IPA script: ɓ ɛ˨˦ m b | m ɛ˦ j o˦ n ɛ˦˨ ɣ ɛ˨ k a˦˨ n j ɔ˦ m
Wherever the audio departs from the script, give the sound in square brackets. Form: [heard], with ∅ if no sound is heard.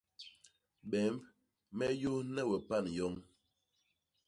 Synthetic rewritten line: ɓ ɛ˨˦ m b | m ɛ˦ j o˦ n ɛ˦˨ [w] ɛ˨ [p] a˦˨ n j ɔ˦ [ŋ]